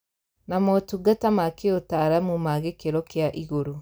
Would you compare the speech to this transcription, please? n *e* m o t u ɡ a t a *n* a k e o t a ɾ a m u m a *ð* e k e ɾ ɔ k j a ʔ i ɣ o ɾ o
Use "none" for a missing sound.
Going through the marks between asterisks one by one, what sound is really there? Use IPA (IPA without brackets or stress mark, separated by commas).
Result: a, m, ɣ